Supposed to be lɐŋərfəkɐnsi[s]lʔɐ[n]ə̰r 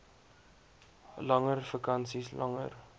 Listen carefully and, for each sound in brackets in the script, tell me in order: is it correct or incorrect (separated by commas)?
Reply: correct, incorrect